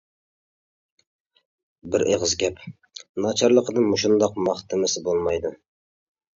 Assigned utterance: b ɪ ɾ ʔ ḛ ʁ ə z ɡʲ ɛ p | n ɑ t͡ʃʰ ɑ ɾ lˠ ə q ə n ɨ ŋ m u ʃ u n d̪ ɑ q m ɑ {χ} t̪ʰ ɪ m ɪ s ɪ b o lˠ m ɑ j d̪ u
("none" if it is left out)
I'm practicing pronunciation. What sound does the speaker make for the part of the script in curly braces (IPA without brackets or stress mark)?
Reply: χ